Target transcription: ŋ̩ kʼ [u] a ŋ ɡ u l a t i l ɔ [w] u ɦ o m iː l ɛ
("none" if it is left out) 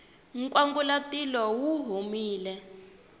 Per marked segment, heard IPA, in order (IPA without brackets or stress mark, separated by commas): w, w